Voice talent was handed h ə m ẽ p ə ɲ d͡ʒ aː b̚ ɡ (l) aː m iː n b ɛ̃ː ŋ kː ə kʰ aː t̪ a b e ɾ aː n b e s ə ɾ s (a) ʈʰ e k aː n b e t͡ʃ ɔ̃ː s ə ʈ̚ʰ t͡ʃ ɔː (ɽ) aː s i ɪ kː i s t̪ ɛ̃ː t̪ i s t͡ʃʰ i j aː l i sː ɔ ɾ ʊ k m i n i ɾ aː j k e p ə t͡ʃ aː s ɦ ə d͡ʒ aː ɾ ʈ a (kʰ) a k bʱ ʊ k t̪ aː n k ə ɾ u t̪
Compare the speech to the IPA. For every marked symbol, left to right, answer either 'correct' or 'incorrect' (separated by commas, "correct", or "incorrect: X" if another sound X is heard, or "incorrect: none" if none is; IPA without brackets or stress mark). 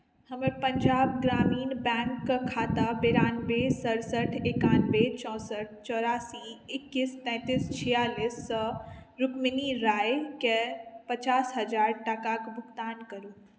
incorrect: ɾ, incorrect: ə, incorrect: ɾ, incorrect: k